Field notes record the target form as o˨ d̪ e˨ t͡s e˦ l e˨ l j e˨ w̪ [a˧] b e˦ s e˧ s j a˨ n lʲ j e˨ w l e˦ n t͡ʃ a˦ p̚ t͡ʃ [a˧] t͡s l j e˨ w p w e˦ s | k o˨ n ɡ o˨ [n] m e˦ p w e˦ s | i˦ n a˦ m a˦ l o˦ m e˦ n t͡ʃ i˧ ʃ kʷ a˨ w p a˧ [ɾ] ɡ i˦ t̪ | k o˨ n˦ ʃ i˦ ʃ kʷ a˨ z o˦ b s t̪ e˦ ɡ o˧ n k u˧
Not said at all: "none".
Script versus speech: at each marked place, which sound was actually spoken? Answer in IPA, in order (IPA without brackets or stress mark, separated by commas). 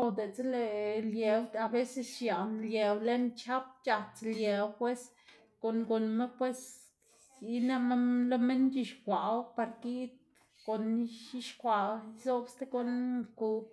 a˧, a˧, n, ɾ